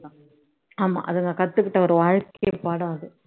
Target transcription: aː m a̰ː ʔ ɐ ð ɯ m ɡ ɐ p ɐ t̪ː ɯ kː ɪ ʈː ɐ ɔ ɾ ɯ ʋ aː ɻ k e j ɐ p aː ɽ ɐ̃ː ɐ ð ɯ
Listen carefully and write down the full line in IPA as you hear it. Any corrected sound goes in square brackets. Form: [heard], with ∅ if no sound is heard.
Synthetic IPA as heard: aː m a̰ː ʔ ɐ ð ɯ [ŋ] ɡ ɐ [k] ɐ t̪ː ɯ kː ɪ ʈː ɐ ɔ ɾ ɯ ʋ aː ɻ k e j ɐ p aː ɽ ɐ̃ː ɐ ð ɯ